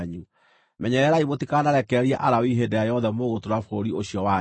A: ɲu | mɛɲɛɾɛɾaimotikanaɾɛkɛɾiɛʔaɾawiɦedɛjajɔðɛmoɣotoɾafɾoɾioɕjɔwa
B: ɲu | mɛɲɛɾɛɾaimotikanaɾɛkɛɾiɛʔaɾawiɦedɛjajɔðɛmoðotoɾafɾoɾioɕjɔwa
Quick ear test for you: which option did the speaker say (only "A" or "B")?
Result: A